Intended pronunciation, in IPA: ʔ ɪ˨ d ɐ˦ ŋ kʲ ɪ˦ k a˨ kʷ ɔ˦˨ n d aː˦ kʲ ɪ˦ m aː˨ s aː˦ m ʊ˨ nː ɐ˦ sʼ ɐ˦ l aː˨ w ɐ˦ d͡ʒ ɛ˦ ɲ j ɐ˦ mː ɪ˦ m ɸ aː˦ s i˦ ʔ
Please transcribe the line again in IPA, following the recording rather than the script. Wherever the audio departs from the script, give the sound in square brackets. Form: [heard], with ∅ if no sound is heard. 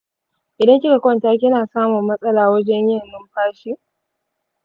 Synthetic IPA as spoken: ʔ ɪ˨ d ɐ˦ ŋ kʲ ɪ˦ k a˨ kʷ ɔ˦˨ n [t] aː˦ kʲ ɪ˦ [n] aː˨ s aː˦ m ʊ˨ [mː] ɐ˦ sʼ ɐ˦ l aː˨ w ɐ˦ d͡ʒ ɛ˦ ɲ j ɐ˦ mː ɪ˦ m ɸ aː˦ [ʃ] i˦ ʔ

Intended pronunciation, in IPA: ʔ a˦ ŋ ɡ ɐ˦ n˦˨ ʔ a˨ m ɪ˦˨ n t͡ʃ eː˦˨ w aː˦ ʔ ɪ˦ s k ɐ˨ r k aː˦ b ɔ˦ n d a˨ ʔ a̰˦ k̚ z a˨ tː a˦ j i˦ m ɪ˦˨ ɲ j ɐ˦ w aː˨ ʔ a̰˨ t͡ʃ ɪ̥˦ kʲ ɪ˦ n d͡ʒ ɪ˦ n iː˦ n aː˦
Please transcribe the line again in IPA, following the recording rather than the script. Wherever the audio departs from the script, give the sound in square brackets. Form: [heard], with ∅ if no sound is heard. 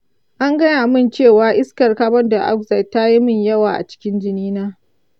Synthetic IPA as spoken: ʔ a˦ ŋ ɡ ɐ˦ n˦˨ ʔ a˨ m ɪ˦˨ n t͡ʃ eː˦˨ w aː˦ ʔ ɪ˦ s k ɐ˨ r k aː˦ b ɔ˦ n d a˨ ʔ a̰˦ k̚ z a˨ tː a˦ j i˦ m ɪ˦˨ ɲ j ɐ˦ w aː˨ ʔ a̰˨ t͡ʃ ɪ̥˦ kʲ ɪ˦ n d͡ʒ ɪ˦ n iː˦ n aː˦

